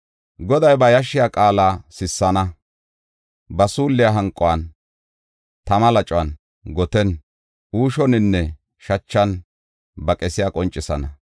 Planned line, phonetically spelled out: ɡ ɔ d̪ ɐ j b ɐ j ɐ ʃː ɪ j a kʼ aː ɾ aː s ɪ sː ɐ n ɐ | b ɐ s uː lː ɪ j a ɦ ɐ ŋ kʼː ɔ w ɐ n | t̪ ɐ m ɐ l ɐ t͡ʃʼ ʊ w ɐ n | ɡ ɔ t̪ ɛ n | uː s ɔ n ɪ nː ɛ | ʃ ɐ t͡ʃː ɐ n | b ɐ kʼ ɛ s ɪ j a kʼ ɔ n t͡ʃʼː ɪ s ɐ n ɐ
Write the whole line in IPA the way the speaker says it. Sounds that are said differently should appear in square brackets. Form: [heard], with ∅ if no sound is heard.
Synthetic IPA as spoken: ɡ ɔ d̪ ɐ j b ɐ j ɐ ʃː ɪ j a kʼ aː [l] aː s ɪ sː ɐ n ɐ | b ɐ s uː lː ɪ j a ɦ ɐ ŋ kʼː ɔ w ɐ n | t̪ ɐ m ɐ l ɐ t͡ʃʼ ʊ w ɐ n | ɡ ɔ t̪ ɛ n | uː [ʃ] ɔ n ɪ nː ɛ | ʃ ɐ t͡ʃː ɐ n | b ɐ kʼ ɛ s ɪ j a kʼ ɔ n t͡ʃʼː ɪ s ɐ n ɐ